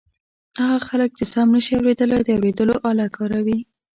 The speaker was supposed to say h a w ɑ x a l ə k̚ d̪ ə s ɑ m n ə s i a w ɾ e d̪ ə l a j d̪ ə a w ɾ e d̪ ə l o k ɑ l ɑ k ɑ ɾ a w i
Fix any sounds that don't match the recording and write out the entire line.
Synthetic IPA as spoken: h a ɣ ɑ x a l ə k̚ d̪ ə s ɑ m n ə ʃ i a w ɾ e d̪ ə l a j d̪ ə a w ɾ e d̪ ə l o ʔ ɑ l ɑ k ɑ ɾ a w i